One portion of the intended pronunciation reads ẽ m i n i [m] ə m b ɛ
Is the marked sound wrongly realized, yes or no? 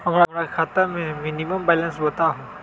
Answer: no